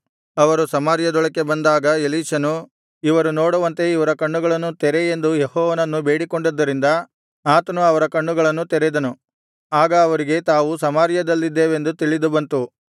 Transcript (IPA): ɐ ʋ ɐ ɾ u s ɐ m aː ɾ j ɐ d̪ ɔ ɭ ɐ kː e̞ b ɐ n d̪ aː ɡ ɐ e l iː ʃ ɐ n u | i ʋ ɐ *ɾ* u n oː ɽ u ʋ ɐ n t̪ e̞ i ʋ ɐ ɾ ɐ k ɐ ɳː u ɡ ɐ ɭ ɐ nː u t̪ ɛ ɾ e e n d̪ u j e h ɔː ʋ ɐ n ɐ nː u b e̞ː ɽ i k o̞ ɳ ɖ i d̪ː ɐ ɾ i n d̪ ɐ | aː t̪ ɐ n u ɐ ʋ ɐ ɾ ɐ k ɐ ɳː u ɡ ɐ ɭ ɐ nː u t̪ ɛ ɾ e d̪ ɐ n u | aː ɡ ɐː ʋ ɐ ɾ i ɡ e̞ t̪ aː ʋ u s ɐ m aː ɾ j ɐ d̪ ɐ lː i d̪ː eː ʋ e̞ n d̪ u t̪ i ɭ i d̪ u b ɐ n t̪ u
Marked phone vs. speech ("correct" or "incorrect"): correct